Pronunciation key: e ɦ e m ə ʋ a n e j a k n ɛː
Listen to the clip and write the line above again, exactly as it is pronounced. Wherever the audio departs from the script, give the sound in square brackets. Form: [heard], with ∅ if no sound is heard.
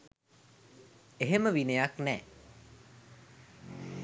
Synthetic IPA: e ɦ e m ə ʋ [i] n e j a k n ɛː